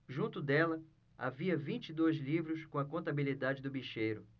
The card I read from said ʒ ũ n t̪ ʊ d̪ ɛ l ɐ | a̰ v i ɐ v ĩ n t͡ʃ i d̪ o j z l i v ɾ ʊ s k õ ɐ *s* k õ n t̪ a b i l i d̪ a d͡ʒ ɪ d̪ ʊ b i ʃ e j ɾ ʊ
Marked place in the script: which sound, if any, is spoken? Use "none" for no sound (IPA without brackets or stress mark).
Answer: none